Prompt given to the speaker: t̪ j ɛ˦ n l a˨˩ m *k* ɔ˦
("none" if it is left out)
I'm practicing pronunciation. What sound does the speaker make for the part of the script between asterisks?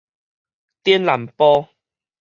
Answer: p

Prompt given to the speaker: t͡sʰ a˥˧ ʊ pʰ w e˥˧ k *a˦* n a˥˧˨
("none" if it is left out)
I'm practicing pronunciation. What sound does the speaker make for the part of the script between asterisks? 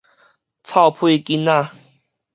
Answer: i˦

